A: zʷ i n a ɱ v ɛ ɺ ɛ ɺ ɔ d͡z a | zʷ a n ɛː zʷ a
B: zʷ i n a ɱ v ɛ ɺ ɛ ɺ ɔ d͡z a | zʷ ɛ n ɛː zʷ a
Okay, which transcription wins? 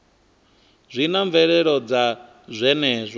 B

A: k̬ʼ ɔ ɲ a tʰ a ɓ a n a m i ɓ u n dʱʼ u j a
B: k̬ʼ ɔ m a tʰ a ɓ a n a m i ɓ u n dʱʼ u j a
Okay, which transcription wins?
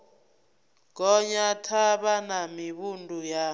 A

